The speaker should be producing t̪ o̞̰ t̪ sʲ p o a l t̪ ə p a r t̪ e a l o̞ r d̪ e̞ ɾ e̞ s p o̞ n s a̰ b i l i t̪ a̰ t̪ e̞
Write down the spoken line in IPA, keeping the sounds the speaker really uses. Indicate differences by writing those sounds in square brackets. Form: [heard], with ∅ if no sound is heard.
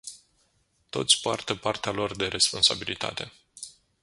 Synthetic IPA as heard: t̪ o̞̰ t̪ sʲ p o a [r] t̪ ə p a r t̪ e a l o̞ r d̪ e̞ ɾ e̞ s p o̞ n s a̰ b i l i t̪ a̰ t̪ e̞

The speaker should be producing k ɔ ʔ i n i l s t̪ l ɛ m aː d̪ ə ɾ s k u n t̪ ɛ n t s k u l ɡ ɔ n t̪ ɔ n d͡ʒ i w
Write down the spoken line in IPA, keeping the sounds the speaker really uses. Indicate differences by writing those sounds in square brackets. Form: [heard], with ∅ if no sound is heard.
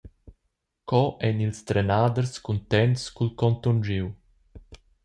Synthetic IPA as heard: k ɔ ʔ [ɛ] n i l s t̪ [ɾ] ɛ [n] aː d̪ ə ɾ s k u n t̪ ɛ n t s k u l [k] ɔ n t̪ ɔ n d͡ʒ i w

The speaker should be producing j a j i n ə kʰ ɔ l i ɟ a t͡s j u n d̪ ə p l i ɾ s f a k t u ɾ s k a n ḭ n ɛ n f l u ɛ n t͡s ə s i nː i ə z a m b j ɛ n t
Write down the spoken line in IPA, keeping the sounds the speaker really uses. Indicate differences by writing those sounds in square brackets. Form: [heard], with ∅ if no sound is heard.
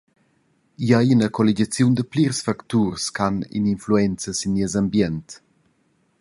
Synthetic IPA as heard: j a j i n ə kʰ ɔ l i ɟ a t͡s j u n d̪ ə p l i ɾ s f a k t u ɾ s k a n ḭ n [i] n f l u ɛ n t͡s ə s i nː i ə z a m b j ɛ n t

